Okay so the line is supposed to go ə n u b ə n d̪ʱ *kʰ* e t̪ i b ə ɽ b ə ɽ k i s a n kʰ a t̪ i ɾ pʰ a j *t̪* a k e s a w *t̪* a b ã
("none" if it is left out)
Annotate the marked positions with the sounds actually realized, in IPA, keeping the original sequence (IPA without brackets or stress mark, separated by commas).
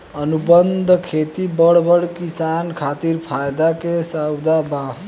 kʰ, d̪, d̪